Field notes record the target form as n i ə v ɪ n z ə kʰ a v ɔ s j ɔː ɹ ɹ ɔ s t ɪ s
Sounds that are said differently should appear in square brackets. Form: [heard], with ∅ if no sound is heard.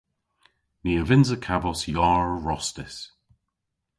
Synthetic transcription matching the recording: n i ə v ɪ n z ə kʰ a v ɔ s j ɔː ɹ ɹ ɔ s t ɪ s